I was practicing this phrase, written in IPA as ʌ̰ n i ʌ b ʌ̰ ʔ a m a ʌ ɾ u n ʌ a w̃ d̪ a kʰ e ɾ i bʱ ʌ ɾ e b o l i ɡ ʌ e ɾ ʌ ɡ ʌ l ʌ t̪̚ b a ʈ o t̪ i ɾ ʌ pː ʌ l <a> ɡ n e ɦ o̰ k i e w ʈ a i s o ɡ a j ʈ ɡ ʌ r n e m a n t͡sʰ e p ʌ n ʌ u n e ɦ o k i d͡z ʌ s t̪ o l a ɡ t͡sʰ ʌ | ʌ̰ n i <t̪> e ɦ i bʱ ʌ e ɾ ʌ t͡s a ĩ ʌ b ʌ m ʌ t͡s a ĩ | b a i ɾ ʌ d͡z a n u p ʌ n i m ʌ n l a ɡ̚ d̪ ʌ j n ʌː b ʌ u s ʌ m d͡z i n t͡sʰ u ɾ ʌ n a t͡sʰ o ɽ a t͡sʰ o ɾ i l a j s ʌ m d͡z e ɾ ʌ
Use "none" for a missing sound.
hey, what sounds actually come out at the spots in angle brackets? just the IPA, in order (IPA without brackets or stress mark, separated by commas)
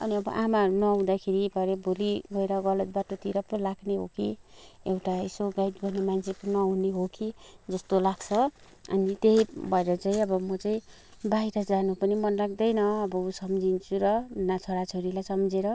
a, t̪